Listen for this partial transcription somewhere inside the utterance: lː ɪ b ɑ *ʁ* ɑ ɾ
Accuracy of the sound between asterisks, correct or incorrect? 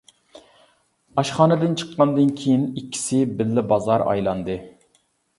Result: incorrect